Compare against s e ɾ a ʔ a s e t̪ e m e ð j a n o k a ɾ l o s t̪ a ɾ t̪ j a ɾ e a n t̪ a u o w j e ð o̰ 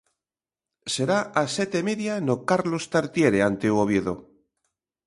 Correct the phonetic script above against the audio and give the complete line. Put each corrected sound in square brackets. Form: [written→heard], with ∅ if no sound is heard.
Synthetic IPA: s e ɾ a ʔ a s e t̪ e m e ð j a n o k a ɾ l o s t̪ a ɾ t̪ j [a→e] ɾ e a n t̪ [a→e] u o [w→β] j e ð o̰